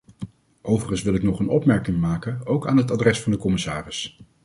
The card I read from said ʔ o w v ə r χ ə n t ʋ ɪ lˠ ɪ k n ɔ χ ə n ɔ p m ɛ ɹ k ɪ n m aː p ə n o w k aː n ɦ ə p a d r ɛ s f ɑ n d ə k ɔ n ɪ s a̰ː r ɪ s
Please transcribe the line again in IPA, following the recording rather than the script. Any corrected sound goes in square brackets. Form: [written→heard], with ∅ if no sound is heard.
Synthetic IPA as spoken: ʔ o w v ə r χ ə n [t→s] ʋ ɪ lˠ ɪ k n ɔ χ ə n ɔ p m ɛ ɹ k ɪ [n→ŋ] m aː [p→k] ə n o w k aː n ɦ ə [p→t] a d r ɛ s f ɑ n d ə k ɔ [n→m] ɪ s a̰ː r ɪ s